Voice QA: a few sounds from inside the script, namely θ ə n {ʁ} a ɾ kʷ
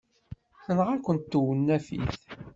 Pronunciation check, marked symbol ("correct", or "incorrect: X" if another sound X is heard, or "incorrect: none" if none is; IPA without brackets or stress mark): correct